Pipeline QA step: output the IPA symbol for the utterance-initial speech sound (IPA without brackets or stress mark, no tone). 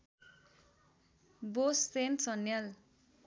b